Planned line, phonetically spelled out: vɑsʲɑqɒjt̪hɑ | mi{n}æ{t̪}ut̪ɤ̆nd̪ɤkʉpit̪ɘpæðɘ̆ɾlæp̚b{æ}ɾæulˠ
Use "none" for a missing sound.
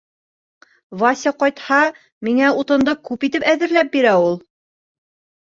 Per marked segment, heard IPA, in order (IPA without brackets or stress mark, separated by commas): ŋ, none, i